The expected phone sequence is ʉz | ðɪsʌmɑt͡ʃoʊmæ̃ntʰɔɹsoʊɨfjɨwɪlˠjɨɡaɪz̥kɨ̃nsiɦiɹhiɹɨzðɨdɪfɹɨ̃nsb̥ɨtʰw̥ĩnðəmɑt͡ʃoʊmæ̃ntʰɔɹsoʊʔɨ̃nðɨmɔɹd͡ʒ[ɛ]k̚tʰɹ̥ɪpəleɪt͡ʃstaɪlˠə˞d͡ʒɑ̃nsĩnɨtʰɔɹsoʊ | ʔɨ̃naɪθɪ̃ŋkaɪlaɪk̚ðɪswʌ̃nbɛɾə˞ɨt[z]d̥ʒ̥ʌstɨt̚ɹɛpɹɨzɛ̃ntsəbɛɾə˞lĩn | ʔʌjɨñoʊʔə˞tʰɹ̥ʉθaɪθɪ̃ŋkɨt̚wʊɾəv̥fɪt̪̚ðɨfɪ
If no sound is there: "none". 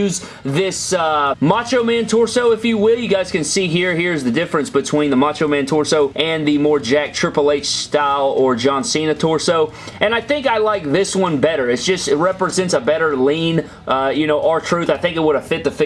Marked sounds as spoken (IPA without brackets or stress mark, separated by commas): æ, s